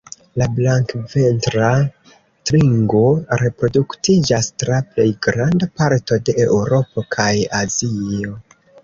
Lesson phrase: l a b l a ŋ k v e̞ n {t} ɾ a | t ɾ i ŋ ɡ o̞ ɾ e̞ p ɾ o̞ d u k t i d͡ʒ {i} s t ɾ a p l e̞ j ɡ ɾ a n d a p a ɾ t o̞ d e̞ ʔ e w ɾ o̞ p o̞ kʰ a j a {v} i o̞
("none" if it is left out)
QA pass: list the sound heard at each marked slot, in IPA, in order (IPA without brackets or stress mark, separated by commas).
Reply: t, a, z